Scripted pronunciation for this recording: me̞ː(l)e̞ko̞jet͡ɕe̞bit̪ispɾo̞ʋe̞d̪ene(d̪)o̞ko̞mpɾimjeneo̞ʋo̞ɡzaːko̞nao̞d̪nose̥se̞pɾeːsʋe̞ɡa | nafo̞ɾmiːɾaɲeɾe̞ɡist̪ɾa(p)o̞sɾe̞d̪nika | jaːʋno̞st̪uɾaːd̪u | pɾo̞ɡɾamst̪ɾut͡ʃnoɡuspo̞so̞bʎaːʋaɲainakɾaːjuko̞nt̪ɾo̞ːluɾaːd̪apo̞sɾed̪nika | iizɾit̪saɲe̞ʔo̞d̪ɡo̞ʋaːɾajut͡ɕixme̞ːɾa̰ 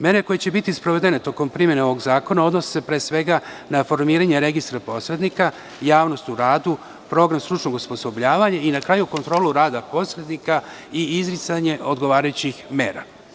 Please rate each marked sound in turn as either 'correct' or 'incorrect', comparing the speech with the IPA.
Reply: incorrect: ɾ, incorrect: t̪, correct

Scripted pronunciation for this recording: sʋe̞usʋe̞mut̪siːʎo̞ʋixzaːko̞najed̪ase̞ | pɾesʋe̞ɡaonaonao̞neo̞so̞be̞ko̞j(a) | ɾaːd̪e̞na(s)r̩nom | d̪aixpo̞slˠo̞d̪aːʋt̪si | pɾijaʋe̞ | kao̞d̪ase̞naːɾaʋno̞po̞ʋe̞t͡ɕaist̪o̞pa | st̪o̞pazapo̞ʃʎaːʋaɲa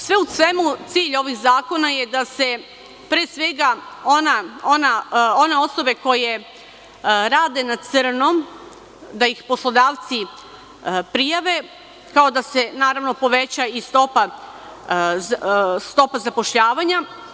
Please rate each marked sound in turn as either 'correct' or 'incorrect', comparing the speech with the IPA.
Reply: incorrect: e, correct

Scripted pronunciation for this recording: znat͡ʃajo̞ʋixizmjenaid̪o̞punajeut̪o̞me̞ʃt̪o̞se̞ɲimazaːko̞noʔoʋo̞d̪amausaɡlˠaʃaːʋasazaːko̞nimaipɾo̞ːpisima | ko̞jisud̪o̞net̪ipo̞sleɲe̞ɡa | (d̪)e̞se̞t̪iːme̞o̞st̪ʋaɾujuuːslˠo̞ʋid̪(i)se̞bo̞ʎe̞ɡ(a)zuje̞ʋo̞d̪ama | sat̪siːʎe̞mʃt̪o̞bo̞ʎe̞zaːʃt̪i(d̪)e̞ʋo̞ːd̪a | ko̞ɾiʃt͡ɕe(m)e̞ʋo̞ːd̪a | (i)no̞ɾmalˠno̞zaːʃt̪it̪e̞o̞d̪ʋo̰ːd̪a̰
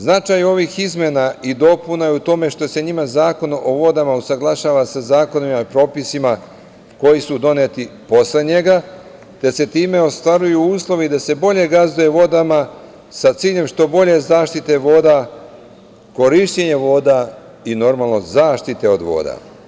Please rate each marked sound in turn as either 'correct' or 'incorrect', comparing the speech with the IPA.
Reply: incorrect: t̪, incorrect: a, correct, incorrect: t̪, incorrect: ɲ, correct

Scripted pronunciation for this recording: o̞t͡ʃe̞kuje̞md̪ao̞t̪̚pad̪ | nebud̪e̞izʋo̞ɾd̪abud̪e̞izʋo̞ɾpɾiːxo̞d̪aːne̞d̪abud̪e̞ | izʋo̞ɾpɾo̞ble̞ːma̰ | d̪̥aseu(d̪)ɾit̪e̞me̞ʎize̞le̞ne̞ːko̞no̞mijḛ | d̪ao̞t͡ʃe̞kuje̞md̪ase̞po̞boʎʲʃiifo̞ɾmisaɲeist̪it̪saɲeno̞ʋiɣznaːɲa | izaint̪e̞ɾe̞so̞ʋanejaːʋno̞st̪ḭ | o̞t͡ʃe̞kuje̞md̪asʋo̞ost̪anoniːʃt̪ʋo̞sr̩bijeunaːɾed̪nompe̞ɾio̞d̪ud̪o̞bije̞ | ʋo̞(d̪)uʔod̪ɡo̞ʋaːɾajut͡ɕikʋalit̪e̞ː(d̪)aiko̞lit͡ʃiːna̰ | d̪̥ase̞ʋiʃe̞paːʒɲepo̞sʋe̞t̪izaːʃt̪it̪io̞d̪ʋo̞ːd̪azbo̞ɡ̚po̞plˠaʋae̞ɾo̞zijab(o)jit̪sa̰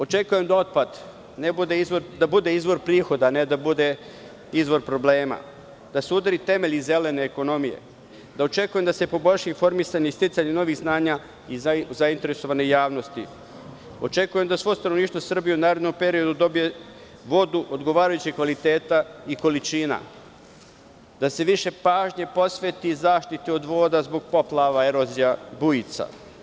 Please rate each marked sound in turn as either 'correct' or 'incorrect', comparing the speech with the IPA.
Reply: correct, correct, incorrect: t̪, incorrect: u

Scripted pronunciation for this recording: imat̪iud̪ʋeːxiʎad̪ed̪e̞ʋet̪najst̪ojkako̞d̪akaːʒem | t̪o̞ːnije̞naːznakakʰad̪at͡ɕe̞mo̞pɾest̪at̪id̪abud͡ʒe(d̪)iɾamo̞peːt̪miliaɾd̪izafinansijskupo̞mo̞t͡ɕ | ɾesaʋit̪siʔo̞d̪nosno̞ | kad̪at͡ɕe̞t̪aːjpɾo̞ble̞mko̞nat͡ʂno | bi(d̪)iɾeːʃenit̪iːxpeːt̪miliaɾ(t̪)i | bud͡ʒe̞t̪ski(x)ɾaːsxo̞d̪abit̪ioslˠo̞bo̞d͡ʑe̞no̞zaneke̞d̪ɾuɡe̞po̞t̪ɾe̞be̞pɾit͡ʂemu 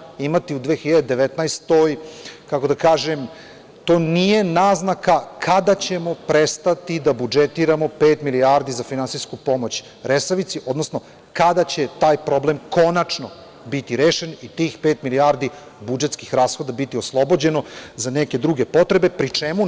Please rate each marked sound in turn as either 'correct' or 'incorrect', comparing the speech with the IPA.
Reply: incorrect: t̪, incorrect: t̪, incorrect: d̪, correct

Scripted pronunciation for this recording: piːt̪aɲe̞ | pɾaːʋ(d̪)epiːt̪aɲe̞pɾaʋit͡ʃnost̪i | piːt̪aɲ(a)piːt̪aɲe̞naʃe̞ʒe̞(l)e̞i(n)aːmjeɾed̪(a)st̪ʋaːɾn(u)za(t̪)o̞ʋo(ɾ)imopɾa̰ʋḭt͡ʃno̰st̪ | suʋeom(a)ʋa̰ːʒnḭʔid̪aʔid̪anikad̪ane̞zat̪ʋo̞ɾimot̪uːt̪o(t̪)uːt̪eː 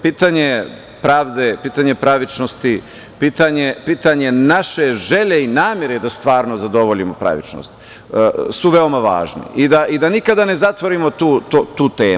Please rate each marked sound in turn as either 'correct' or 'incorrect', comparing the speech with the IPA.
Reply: correct, incorrect: e, incorrect: ʎ, correct, correct, incorrect: o, incorrect: d̪, incorrect: ʎ, correct, correct

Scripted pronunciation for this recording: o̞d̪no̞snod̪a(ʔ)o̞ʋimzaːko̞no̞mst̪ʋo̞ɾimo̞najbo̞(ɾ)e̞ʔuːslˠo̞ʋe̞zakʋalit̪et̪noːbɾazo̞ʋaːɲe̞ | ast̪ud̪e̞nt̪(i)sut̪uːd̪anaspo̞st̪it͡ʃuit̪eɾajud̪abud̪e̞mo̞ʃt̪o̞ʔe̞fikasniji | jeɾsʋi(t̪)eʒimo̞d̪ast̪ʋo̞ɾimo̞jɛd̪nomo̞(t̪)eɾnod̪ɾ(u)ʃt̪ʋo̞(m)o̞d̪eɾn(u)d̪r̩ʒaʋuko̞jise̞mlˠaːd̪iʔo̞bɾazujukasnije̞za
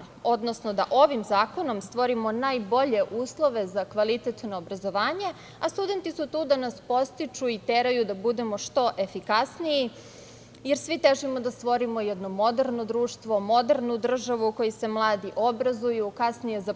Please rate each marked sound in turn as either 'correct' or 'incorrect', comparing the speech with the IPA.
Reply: correct, incorrect: ʎ, correct, correct, incorrect: d̪, incorrect: uː, correct, correct

